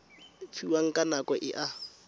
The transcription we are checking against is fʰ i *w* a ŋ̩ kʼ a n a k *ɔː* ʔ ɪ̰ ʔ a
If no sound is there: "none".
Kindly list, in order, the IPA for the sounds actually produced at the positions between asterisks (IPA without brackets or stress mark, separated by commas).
w, ɔ